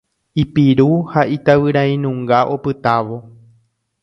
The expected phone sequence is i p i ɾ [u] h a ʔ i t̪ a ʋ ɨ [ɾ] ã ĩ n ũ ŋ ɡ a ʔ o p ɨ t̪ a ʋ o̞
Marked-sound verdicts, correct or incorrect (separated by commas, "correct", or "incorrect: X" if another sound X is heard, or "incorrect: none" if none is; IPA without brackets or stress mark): correct, correct